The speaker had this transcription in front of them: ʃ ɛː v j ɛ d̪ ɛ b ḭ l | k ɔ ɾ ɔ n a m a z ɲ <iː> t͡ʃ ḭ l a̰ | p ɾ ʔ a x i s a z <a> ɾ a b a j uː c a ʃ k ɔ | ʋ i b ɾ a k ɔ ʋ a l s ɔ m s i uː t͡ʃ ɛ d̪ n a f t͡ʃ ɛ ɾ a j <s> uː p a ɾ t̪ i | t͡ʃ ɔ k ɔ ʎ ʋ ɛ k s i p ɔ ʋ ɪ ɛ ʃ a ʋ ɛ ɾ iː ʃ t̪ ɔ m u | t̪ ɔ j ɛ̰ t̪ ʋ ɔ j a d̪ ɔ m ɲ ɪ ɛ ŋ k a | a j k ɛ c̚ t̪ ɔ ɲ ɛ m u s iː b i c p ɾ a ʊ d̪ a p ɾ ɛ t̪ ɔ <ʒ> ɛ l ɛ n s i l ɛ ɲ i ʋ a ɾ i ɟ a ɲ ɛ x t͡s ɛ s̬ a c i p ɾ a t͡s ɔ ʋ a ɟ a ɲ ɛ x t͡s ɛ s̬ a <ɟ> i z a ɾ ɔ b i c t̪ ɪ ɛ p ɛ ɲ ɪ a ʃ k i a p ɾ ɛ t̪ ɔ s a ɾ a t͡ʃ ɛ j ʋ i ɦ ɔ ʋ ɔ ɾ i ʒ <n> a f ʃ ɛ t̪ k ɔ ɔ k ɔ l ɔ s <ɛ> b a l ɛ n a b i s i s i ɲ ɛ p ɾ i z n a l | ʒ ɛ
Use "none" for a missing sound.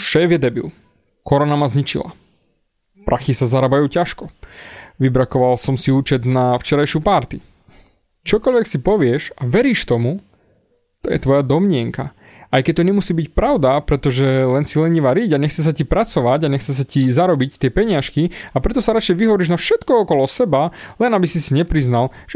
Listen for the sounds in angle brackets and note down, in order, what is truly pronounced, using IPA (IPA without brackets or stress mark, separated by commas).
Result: i, a, ʃ, ʒ, c, n, ɛ